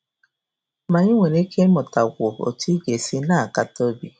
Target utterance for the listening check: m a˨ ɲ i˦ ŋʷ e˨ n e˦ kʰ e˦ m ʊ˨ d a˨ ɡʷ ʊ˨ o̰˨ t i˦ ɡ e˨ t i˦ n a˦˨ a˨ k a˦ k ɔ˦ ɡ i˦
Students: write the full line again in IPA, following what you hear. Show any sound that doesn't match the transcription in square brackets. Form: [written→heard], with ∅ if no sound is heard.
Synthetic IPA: m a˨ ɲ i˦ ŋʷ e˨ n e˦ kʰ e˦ m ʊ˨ [d→t] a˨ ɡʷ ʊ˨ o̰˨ t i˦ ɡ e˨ [t→s] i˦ n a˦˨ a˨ k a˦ [k→t] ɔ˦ [ɡ→b] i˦